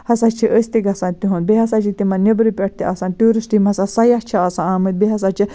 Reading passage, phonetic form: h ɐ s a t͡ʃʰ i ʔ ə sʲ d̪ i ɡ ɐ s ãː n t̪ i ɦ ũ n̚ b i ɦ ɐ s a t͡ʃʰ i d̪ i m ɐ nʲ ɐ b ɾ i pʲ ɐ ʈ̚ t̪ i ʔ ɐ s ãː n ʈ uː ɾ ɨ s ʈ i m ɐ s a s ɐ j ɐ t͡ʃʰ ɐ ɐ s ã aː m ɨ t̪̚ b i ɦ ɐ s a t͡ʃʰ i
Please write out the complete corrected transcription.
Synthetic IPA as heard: h ɐ s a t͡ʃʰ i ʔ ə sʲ t̪ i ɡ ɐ s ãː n t̪ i ɦ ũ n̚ b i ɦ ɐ s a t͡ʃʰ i t̪ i m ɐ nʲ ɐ b ɾ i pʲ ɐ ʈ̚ t̪ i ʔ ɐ s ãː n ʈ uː ɾ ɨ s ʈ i m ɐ s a s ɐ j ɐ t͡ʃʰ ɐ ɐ s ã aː m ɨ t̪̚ b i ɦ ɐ s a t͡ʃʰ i